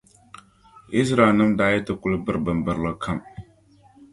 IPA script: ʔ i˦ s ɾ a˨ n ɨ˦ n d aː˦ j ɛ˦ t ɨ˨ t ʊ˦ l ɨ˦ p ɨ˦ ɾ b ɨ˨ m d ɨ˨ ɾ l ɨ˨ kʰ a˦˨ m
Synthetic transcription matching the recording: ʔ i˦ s ɾ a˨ n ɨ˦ m d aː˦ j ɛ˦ t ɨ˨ k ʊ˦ l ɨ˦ b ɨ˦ ɾ b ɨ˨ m b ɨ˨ ɾ l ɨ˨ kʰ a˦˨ m